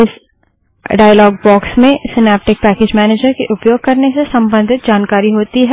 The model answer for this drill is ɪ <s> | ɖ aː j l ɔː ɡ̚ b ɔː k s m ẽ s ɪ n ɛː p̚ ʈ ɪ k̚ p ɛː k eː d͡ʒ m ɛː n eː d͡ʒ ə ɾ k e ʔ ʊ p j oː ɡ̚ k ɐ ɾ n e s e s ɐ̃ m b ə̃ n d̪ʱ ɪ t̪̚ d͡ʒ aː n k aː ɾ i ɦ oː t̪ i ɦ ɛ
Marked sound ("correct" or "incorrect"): correct